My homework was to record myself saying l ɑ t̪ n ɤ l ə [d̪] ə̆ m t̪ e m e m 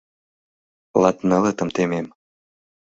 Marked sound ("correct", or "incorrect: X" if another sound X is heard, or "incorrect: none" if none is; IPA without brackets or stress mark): incorrect: t̪